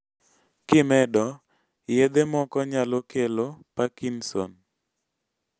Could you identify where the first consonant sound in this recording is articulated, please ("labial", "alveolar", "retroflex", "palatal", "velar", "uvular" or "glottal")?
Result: velar